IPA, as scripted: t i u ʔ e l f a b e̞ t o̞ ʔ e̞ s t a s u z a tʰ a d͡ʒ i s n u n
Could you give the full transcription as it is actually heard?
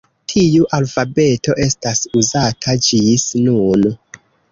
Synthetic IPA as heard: tʰ i u ʔ a l f a b e̞ t o̞ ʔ e̞ s t a s u z a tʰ a d͡ʒ i s n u n